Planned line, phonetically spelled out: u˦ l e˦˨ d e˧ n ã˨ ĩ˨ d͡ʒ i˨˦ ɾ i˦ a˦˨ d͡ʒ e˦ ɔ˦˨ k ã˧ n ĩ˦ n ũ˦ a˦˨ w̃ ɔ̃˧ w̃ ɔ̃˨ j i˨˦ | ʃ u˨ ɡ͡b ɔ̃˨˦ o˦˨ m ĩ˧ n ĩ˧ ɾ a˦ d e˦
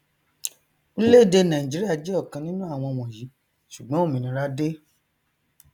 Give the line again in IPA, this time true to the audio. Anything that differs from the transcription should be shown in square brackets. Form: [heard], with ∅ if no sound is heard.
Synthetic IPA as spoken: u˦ l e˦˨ d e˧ n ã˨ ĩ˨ d͡ʒ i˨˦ ɾ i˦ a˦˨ d͡ʒ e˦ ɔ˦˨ k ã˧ n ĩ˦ n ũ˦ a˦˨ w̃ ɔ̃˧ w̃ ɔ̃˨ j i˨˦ | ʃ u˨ ɡ͡b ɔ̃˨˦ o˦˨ m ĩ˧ n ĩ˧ ɾ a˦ d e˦